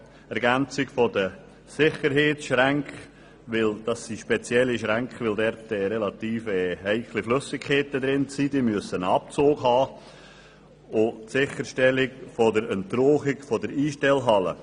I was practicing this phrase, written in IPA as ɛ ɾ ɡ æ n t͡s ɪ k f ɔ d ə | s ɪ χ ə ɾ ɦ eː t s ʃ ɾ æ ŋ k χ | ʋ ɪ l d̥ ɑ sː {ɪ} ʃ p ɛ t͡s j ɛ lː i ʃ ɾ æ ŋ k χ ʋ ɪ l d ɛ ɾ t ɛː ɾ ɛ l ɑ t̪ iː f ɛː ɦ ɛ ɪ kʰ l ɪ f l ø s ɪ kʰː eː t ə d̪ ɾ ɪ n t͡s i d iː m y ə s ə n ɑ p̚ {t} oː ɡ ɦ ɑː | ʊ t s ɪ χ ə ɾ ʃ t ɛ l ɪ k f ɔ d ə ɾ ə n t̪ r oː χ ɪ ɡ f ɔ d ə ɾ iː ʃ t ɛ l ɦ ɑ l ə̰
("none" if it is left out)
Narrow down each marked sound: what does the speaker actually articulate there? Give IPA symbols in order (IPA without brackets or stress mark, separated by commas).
i, t͡s